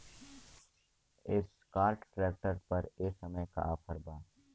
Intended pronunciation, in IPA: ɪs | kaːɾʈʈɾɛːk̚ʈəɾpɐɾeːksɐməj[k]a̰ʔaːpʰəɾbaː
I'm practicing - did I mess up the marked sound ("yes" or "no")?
no